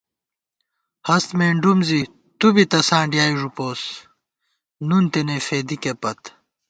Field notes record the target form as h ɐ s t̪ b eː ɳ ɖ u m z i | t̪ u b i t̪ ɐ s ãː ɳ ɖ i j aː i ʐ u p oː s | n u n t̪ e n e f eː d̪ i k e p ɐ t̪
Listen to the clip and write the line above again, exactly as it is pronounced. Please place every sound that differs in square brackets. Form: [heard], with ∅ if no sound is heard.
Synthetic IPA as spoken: h ɐ s t̪ [m] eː ɳ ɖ u m z i | t̪ u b i t̪ ɐ s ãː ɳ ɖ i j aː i ʐ u p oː s | n u n t̪ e n e f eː d̪ i k e p ɐ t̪